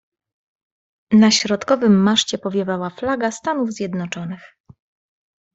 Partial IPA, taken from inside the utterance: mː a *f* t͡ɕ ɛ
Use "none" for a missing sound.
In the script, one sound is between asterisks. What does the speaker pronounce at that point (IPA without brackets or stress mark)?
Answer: ʂ